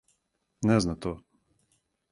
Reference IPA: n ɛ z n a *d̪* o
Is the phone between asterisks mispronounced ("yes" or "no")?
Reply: yes